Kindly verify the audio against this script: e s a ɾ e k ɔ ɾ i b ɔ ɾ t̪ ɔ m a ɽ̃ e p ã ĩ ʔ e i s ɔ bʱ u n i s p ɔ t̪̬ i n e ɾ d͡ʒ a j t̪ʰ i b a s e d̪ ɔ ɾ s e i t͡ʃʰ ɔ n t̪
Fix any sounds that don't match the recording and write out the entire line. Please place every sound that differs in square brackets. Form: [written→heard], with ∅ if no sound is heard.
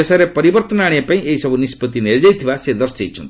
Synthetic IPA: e s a ɾ e [k→p] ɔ ɾ i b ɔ ɾ t̪ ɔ [m→n] a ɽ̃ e p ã ĩ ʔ e i s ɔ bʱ u n i s p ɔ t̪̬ i n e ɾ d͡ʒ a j t̪ʰ i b a s e d̪ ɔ ɾ s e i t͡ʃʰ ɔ n t̪